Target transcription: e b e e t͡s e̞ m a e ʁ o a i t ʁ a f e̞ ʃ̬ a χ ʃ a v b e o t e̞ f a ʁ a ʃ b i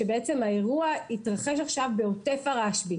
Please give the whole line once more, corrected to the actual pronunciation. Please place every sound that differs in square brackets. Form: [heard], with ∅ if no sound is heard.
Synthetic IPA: e b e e t͡s e̞ m a e ʁ [u] a i t ʁ a [χ] e̞ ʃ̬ a χ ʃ a v b e o t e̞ f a ʁ a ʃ b i